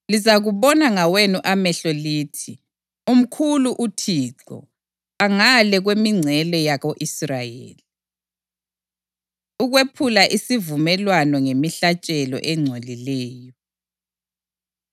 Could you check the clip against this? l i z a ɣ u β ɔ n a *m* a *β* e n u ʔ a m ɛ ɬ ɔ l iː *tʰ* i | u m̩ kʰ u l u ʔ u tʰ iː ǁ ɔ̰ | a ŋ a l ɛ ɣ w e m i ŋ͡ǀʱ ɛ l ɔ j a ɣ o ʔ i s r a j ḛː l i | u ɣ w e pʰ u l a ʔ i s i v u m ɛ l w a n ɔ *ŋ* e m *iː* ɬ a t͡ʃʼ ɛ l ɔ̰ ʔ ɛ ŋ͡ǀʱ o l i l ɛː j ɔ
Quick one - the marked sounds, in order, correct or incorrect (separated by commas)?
incorrect, incorrect, correct, correct, incorrect